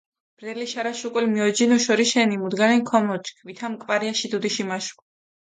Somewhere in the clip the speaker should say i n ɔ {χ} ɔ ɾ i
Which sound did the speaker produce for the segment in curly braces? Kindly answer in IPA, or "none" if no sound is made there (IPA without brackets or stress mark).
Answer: ʃ